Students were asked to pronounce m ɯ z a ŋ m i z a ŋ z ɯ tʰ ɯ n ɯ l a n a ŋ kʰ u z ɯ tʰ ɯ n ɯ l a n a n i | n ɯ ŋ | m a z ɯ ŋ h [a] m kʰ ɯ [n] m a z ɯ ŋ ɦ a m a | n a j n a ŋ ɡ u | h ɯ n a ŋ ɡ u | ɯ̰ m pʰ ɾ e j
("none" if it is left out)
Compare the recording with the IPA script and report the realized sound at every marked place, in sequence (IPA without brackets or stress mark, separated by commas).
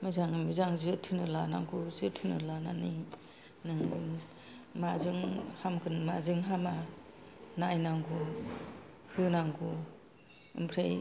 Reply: a, n